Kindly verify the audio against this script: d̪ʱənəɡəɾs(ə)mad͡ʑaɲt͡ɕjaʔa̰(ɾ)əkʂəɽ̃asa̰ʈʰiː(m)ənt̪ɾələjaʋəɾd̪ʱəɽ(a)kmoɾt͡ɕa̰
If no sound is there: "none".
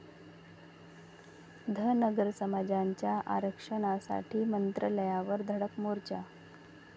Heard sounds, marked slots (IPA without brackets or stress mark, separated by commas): ə, ɾ, m, ə